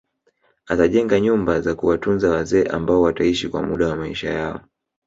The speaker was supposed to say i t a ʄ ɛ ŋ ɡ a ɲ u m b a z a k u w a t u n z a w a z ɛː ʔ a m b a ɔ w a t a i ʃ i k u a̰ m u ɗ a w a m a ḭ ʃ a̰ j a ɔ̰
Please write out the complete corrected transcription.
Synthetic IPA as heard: a t a ʄ ɛ ŋ ɡ a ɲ u m b a z a k u w a t u n z a w a z ɛː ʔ a m b a ɔ w a t a i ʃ i k w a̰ m u ɗ a w a m a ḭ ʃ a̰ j a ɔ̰